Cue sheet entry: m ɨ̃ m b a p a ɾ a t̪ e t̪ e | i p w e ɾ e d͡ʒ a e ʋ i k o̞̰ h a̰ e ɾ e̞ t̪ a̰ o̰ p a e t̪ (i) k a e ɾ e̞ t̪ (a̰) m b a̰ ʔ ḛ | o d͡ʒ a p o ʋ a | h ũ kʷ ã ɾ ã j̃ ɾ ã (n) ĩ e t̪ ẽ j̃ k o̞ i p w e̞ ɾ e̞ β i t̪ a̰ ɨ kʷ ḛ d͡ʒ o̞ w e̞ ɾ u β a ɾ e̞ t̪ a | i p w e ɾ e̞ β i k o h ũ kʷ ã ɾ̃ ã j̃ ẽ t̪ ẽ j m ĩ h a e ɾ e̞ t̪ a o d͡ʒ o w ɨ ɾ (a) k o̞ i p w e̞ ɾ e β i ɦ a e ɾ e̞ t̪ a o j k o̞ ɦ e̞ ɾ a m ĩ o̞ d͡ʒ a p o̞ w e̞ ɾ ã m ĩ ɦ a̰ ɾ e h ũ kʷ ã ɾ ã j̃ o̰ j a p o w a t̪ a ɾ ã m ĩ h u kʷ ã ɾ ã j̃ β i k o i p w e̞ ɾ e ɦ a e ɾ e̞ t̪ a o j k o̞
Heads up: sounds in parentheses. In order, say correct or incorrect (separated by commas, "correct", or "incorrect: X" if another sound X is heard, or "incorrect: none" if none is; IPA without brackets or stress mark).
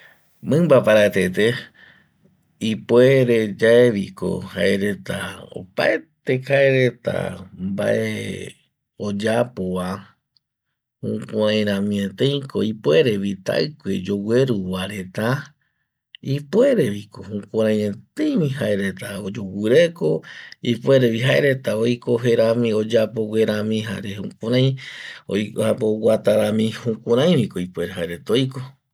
incorrect: e, correct, incorrect: m, incorrect: e